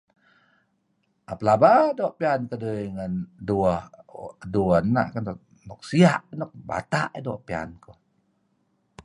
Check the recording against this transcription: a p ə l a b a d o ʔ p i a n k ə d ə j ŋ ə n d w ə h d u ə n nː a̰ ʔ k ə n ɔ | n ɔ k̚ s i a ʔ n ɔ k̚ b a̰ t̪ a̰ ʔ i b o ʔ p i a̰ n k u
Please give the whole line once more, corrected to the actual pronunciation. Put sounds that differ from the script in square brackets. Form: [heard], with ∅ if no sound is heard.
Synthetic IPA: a p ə l a b a d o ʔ p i a n k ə d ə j ŋ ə n d [u] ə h d u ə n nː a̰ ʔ k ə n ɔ | n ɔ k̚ s i a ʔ n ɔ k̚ b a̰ t̪ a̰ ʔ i [d] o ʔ p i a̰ n k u